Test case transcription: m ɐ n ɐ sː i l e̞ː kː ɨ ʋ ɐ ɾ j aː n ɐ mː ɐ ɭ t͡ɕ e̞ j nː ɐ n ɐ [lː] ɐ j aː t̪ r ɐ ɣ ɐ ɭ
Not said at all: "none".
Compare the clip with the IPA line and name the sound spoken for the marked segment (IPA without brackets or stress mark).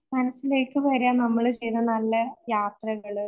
lː